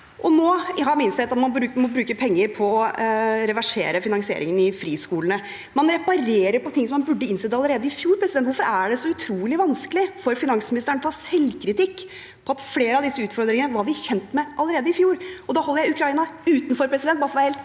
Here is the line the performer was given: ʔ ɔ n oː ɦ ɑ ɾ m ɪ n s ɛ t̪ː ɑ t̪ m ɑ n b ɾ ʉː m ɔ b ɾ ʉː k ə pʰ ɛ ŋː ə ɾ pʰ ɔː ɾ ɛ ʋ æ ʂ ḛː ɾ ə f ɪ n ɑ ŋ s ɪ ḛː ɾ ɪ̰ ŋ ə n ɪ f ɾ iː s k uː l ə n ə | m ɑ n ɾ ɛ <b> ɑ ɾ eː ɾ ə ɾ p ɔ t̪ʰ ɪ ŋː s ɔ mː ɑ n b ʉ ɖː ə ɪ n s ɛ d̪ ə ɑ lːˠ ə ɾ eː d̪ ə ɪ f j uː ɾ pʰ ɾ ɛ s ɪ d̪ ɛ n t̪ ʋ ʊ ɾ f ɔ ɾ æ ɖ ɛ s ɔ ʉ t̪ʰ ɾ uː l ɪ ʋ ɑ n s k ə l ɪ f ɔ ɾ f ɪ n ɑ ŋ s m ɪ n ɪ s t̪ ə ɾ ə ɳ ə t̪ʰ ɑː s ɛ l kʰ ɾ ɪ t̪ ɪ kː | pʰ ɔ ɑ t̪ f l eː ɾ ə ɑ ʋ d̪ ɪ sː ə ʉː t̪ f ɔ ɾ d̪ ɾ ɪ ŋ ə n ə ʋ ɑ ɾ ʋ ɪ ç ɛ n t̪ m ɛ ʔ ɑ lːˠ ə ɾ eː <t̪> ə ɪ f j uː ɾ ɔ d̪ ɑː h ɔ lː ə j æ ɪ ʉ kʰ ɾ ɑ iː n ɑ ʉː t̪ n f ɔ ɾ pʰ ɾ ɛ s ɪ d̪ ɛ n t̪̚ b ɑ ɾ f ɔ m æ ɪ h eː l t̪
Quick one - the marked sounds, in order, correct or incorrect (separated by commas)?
incorrect, incorrect